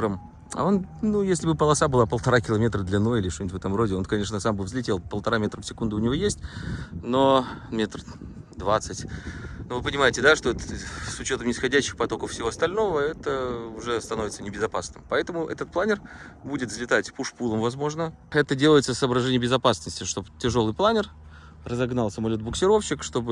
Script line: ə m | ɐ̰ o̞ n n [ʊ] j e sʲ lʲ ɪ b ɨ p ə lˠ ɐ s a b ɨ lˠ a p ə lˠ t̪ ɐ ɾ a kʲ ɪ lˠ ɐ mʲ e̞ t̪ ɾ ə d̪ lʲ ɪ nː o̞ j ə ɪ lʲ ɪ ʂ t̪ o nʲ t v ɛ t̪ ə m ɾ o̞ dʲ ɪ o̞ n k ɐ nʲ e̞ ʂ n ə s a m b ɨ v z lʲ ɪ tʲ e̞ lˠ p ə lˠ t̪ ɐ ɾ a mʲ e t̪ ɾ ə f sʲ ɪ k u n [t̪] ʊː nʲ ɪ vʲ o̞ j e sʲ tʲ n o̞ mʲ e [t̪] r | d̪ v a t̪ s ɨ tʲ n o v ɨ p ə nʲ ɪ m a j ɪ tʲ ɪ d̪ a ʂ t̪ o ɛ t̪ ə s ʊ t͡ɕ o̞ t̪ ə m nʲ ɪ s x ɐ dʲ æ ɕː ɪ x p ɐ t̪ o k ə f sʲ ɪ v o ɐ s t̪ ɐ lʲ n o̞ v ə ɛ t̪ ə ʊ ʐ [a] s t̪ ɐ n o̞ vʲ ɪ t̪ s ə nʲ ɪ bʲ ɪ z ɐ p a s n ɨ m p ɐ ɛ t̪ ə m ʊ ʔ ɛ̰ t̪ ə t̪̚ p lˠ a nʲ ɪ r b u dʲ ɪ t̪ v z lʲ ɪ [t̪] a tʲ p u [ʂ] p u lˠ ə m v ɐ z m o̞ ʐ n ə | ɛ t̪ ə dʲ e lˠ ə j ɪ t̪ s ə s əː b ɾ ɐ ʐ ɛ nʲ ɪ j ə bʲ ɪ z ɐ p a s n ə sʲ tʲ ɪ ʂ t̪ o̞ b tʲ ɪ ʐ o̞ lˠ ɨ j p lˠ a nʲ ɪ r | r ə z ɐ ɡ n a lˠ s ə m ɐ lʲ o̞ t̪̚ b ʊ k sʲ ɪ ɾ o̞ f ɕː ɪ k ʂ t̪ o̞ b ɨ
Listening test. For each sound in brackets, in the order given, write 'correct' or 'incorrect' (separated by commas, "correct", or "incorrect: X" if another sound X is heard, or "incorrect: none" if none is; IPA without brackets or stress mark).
incorrect: u, incorrect: d̪, correct, incorrect: ɛ, correct, correct